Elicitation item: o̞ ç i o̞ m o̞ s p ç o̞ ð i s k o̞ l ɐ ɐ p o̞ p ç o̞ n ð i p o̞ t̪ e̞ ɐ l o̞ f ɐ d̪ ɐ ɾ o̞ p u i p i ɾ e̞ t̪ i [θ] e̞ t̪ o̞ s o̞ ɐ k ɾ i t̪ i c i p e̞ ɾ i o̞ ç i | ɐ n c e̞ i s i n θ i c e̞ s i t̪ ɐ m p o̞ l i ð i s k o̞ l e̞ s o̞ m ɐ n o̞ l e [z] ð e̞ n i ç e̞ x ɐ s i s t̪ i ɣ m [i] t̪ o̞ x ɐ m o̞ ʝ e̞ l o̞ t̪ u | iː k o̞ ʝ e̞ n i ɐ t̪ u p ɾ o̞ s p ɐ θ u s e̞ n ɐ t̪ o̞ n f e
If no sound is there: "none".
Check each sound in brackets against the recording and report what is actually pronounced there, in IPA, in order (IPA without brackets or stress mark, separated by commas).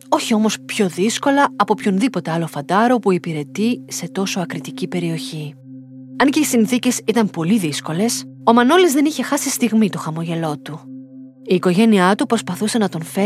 s, z, i